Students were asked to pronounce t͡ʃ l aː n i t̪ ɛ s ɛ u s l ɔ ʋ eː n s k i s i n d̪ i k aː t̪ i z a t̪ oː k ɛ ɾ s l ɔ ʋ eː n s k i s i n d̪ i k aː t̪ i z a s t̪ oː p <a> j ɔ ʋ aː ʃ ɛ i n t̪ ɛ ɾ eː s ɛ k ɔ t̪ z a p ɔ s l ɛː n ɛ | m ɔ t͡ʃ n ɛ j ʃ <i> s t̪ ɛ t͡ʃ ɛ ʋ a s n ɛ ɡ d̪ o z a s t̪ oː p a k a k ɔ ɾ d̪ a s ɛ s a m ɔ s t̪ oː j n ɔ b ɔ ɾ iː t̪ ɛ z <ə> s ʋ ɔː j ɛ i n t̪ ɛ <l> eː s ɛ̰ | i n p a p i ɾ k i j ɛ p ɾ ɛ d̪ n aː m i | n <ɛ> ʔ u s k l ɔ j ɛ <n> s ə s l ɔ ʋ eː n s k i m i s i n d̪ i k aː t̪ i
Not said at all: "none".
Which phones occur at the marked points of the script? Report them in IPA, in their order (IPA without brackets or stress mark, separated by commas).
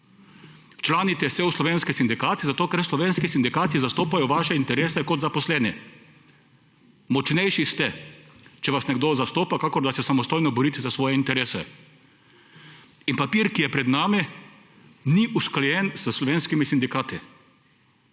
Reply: a, i, a, ɾ, i, n